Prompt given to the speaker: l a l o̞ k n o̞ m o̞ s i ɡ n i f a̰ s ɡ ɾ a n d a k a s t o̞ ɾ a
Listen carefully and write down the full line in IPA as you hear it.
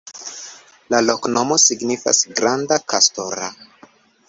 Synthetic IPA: l a l o̞ k n o̞ m o̞ s i ɡ n i f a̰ s ɡ ɾ a n d a k a s t o̞ ɾ a